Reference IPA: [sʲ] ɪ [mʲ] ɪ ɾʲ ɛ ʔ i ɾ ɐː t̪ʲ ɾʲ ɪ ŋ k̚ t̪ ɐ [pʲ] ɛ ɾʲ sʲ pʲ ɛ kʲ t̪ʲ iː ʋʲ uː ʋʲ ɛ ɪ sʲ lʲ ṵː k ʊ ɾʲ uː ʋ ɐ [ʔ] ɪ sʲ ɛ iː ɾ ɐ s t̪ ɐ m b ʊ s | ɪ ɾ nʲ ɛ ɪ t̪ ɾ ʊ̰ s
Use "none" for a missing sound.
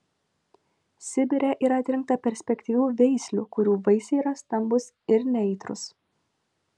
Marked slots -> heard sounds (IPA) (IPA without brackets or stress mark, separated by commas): sʲ, bʲ, pʲ, none